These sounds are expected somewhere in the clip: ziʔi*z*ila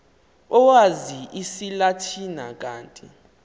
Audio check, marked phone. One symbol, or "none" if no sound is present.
s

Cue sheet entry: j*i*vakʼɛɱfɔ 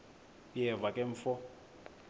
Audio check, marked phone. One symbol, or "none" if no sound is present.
ɛ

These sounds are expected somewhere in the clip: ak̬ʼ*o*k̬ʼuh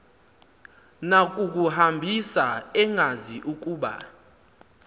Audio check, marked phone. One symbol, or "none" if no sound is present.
u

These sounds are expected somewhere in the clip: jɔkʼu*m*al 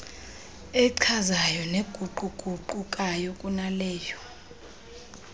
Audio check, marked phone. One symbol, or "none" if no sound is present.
n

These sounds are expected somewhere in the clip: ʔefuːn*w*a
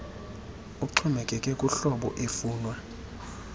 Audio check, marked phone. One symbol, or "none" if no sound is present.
w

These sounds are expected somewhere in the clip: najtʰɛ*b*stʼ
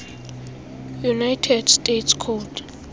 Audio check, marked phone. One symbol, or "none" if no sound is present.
d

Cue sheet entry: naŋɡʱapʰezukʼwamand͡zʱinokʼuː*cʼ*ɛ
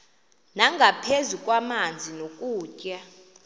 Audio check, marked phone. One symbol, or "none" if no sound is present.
cʼ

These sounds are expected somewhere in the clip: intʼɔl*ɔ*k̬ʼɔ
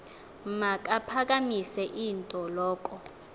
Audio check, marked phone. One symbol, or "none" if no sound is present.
ɔː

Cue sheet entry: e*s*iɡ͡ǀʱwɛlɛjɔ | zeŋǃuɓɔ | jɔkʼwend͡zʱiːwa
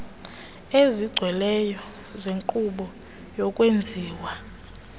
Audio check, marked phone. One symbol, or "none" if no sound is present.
z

